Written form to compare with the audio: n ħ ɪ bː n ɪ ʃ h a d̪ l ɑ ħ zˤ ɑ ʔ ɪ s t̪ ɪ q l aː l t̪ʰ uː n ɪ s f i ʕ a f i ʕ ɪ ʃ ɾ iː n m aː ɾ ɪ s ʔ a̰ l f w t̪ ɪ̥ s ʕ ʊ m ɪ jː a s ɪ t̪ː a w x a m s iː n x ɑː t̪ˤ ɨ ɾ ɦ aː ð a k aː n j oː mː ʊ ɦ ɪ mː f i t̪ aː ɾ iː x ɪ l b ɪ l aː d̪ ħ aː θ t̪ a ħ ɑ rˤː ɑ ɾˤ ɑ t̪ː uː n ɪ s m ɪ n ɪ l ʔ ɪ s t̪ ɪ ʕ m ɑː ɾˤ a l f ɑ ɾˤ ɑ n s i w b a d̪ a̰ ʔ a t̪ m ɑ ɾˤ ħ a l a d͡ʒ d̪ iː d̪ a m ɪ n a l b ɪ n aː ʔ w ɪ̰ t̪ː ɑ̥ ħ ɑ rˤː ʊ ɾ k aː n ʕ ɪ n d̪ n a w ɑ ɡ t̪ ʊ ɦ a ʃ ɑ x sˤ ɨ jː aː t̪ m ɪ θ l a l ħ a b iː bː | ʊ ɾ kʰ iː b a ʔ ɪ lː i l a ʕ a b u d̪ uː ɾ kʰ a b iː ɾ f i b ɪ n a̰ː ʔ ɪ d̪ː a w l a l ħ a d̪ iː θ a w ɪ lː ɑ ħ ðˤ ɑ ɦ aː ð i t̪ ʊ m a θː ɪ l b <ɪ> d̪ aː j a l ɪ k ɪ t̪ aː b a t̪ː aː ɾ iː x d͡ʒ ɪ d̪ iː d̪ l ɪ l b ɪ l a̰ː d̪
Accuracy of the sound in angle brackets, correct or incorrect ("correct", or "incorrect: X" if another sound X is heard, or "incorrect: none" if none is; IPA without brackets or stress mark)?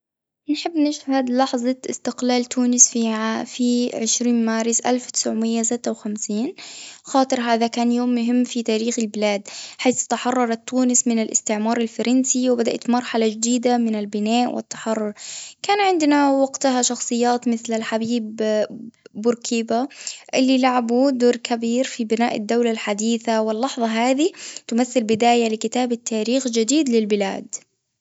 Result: correct